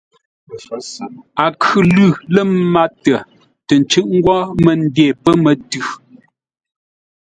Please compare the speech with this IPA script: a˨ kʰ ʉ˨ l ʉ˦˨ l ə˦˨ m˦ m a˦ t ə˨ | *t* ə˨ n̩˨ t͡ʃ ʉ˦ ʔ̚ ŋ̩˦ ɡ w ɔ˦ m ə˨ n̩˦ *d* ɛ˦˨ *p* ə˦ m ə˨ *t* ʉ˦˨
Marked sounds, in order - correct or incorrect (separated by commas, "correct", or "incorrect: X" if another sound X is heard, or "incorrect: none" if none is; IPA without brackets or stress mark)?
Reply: correct, correct, correct, correct